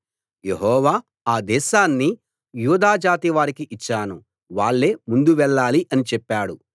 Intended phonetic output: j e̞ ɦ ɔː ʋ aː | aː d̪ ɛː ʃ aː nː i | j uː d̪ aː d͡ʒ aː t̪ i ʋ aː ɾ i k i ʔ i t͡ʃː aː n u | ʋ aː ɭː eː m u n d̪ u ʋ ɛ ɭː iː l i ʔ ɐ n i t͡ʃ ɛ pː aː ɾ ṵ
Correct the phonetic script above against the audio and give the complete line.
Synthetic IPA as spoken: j e̞ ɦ ɔː ʋ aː | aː d̪ ɛː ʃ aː nː i | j uː d̪ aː d͡ʒ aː t̪ i ʋ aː ɾ i k i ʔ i t͡ʃː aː n u | ʋ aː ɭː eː m u n d̪ u ʋ ɛ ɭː aː l i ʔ ɐ n i t͡ʃ ɛ pː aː ɽ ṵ